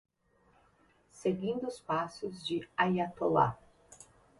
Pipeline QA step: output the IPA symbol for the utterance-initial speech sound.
s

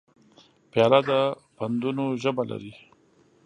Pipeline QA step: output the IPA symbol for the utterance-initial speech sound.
p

